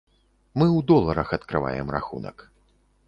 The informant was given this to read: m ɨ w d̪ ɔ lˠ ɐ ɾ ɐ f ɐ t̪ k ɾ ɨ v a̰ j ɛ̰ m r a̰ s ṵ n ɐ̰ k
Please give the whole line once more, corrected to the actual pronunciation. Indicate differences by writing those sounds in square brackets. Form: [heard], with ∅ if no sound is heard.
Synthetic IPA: m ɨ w d̪ ɔ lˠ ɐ ɾ ɐ [x] ɐ t̪ k ɾ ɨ v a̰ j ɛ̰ m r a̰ [x] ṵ n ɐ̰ k